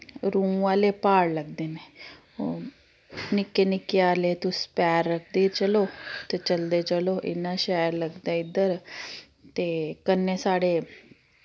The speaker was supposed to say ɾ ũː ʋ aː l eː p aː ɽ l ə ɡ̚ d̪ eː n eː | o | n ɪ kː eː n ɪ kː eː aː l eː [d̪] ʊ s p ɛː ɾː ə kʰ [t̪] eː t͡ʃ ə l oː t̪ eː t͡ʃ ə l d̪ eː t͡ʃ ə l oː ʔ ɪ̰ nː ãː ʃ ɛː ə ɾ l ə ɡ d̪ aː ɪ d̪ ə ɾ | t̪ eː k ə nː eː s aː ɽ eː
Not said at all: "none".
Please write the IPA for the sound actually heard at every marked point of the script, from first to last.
t̪, d̪

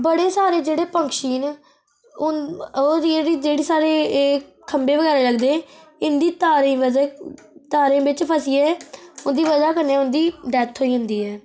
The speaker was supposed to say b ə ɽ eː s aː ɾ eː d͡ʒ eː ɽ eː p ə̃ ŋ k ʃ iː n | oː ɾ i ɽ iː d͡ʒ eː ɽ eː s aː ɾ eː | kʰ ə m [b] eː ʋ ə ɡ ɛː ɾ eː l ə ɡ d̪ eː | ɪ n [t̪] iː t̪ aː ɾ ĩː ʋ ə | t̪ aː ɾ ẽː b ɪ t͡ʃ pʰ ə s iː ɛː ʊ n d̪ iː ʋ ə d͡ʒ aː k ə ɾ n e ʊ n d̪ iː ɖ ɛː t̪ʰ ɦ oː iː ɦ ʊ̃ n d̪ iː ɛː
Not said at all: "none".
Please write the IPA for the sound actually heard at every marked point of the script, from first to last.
b, d̪

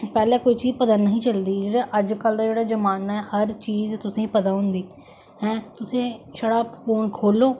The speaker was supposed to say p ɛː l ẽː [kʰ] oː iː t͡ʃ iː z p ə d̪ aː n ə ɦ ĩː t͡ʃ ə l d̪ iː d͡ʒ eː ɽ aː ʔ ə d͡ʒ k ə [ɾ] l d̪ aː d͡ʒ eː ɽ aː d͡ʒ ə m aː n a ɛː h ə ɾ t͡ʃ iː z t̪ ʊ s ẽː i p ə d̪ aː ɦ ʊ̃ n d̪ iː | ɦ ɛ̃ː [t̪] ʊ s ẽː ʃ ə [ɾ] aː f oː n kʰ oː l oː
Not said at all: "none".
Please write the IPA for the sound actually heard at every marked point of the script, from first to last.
k, none, t̪, ɽ

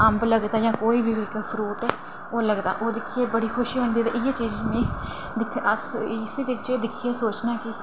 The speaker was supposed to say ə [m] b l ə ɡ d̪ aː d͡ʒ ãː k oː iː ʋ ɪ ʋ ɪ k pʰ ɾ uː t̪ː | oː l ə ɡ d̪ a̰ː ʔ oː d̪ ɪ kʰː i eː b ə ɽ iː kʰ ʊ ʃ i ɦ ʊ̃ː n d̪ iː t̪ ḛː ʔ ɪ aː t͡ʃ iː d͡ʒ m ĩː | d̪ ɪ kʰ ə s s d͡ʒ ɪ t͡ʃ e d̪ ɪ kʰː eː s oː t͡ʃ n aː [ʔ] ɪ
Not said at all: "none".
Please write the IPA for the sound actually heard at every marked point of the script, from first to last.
m, k

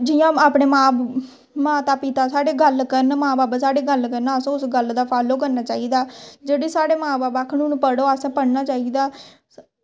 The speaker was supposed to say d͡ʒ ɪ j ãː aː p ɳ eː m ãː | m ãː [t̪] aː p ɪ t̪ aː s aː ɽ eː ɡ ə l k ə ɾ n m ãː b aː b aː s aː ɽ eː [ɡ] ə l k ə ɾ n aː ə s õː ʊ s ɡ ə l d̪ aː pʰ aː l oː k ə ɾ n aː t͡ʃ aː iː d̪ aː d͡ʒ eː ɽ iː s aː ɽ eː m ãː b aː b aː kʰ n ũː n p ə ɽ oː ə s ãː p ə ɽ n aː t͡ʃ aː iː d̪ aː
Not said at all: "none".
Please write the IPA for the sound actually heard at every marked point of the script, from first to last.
t̪, ɡ

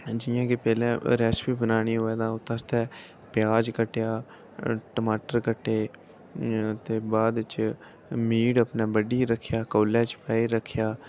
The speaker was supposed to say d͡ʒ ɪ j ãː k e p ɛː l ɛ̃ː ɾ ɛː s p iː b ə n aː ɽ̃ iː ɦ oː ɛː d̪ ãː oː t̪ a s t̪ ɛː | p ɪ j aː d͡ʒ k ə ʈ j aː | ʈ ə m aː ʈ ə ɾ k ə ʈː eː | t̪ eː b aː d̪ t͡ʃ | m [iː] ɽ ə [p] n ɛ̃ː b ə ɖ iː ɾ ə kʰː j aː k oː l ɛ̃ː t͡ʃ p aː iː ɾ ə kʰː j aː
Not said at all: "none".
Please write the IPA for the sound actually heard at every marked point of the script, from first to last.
iː, p

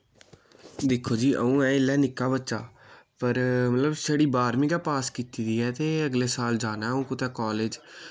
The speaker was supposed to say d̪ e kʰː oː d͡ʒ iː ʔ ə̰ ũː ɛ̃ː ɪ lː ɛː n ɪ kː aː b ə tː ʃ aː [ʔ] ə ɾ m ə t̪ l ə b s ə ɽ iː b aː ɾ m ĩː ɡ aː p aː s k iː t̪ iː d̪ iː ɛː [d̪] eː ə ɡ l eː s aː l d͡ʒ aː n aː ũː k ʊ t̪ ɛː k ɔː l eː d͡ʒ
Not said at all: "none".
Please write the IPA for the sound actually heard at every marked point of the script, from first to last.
p, t̪

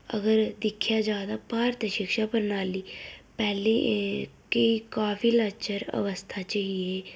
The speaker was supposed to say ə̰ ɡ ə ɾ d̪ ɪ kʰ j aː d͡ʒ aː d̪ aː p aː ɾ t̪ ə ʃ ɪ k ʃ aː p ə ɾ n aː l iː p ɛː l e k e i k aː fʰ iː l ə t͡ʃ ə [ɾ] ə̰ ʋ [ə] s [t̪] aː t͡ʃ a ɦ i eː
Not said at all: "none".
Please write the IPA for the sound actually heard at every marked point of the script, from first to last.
ɾ, ə, t̪ʰ

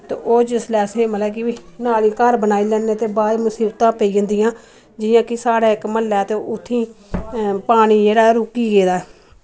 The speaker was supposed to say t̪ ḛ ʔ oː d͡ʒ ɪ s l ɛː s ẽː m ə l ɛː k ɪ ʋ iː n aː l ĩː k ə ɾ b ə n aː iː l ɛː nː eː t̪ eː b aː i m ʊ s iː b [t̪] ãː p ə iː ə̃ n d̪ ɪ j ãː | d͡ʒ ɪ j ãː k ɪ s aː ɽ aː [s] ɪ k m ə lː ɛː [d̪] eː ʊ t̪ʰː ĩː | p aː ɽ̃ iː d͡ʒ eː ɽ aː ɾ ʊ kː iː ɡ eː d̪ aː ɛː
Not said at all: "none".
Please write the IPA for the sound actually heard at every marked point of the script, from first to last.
t̪, none, t̪

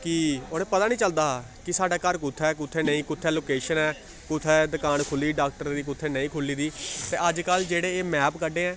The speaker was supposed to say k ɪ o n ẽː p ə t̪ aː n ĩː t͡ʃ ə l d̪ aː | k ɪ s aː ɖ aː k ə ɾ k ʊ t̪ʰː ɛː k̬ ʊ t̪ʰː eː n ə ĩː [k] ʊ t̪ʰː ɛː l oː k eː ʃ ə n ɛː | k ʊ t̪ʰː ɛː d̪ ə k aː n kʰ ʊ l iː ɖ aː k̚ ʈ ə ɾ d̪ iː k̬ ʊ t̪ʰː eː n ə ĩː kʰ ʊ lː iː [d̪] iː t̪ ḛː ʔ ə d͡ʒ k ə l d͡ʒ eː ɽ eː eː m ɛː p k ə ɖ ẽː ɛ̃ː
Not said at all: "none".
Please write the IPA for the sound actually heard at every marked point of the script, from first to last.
k, d̪

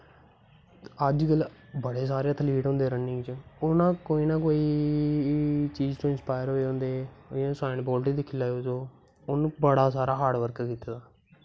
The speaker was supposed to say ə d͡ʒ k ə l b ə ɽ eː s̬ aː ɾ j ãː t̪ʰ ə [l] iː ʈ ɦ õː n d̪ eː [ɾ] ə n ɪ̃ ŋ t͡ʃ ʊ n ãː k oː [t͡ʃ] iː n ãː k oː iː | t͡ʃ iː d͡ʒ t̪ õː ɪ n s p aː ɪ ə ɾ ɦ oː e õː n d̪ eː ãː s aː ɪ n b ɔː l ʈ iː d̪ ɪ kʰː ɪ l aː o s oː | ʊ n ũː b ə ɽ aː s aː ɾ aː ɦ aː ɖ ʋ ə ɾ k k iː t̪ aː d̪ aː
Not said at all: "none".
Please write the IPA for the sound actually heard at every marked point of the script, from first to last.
l, ɾ, none

